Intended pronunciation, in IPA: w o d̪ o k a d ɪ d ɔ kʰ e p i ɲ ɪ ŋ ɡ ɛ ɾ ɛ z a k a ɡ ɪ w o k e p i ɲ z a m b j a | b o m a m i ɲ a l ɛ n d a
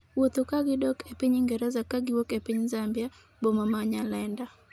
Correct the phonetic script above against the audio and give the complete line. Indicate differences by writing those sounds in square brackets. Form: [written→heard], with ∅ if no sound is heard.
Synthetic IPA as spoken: w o [d̪→t̪] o k a [d→ɡ] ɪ d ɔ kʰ e p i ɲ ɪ ŋ ɡ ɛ ɾ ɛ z a k a ɡ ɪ w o k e p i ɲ z a m b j a | b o m a m [i→a] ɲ a l ɛ n d a

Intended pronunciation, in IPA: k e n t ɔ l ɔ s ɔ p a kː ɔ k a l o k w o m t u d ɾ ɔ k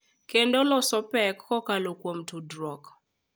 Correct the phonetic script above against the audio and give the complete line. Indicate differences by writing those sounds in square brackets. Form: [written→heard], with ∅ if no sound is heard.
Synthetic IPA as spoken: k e n [t→d] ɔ l ɔ s ɔ p [a→ɛ] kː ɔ k a l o k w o m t u d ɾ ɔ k

